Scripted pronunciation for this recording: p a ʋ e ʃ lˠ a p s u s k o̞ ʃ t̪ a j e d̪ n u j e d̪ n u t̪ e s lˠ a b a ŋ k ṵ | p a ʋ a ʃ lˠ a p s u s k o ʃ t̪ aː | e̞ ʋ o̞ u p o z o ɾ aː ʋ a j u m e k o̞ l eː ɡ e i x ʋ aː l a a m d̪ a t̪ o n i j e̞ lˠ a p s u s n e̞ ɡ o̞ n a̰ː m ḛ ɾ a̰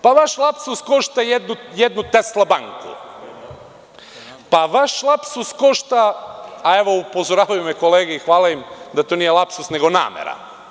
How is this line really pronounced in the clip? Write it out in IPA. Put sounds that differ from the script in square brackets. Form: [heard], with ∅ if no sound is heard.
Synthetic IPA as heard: p a ʋ [a] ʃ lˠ a p s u s k o̞ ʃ t̪ a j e d̪ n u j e d̪ n u t̪ e s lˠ a b a ŋ k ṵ | p a ʋ a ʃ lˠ a p s u s k o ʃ t̪ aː | e̞ ʋ o̞ u p o z o ɾ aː ʋ a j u m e k o̞ l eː ɡ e i x ʋ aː l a [i] m d̪ a t̪ o n i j e̞ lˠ a p s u s n e̞ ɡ o̞ n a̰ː m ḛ ɾ a̰